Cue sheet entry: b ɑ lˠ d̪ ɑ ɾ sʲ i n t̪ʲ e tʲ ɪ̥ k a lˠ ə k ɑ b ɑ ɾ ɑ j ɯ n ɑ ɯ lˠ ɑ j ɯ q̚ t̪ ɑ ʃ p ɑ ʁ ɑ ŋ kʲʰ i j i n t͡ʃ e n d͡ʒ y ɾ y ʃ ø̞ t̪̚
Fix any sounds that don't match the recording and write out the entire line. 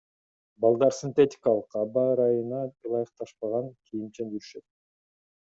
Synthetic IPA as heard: b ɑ lˠ d̪ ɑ ɾ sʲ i n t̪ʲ e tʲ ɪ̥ k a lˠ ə q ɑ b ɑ ɾ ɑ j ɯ n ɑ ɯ lˠ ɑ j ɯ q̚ t̪ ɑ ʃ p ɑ ʁ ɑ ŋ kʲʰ i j i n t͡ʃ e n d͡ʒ y ɾ y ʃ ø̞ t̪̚